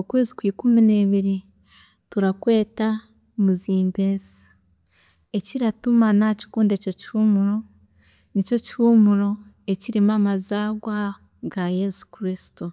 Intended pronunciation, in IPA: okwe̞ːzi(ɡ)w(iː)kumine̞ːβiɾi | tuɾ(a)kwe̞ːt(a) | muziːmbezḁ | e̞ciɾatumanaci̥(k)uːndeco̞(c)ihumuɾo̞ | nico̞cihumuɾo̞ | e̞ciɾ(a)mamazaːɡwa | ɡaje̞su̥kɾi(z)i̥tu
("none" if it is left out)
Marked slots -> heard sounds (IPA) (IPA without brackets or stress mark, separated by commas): k, iː, a, a, k, c, i, s